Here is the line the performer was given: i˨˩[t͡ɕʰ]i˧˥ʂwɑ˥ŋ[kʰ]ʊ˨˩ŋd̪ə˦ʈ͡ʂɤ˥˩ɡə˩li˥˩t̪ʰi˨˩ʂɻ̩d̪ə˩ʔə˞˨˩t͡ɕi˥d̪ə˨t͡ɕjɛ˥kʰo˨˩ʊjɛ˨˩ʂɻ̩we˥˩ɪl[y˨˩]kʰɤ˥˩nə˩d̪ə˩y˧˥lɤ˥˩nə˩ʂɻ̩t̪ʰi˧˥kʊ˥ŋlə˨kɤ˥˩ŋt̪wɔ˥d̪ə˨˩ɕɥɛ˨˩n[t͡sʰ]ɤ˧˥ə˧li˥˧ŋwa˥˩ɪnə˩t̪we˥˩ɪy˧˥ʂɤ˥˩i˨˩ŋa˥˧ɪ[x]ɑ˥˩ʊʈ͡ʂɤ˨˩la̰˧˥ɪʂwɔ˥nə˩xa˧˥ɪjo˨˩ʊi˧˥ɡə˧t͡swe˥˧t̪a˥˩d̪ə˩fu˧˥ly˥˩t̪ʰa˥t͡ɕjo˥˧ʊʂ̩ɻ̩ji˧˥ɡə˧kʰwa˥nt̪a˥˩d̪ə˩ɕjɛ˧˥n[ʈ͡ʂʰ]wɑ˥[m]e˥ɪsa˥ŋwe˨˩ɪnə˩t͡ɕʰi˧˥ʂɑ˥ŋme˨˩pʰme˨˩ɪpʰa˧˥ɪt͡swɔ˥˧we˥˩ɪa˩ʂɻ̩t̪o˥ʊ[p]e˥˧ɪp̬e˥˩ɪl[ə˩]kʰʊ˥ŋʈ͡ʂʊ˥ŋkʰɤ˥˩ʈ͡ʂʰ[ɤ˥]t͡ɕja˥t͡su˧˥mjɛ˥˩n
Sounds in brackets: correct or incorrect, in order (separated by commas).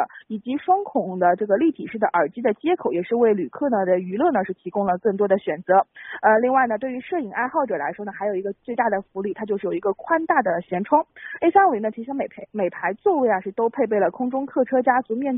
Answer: incorrect, correct, correct, incorrect, correct, correct, incorrect, incorrect, correct, correct